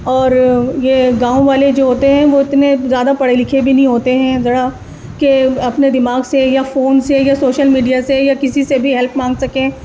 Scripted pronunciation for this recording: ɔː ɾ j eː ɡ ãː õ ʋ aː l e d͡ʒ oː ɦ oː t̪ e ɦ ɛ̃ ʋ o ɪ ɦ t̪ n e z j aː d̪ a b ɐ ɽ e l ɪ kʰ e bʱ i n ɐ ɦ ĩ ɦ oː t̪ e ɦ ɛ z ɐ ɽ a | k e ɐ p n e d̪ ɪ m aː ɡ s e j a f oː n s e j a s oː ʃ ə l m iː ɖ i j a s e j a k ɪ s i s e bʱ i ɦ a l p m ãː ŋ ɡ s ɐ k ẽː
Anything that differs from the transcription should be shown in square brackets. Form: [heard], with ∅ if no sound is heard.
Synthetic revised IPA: ɔː ɾ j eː ɡ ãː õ ʋ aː l e d͡ʒ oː ɦ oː t̪ e ɦ ɛ̃ ʋ o ɪ [∅] t̪ n e z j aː d̪ a [p] ɐ ɽ e l ɪ kʰ e bʱ i n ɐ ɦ ĩ ɦ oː t̪ e ɦ [ɛ̃] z ɐ ɽ a | k e ɐ p n e d̪ ɪ m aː ɡ s e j a f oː n s e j a s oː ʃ ə l m iː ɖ i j a s e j a k ɪ s i s e bʱ i ɦ [ɛ] l p m ãː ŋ ɡ s ɐ k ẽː